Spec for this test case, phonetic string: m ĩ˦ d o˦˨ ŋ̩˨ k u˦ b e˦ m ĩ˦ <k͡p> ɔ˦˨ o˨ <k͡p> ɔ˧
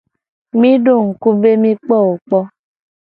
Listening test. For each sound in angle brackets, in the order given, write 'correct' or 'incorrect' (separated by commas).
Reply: correct, correct